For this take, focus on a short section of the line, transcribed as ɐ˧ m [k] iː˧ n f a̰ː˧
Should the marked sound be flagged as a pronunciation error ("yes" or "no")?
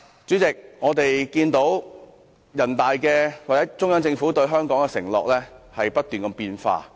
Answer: yes